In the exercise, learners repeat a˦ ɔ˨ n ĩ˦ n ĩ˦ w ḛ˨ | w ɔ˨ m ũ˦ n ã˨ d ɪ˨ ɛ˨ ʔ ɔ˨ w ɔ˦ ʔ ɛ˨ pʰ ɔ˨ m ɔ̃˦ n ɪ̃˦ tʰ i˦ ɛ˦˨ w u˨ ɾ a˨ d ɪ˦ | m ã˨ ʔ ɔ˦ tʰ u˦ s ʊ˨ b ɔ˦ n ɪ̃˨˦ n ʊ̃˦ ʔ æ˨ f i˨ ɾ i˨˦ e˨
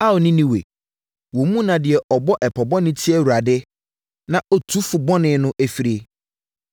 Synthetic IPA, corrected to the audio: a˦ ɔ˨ n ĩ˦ n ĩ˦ w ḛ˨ | w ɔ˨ m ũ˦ n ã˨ d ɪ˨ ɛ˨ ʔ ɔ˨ b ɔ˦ ʔ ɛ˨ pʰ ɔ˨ b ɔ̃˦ n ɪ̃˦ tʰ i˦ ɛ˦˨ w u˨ ɾ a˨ d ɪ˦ | n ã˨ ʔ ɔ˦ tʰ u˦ f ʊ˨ b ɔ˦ n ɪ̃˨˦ n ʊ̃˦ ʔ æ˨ f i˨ ɾ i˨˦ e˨